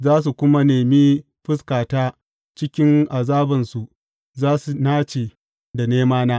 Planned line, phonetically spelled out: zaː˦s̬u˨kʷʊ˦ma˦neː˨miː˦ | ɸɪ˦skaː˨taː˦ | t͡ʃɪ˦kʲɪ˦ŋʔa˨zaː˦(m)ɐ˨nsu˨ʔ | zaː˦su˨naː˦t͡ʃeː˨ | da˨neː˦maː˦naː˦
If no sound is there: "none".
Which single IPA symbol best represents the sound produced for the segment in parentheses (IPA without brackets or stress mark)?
b